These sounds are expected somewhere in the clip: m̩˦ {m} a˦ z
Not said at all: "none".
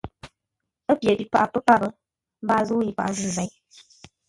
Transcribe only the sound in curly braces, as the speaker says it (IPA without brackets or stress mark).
b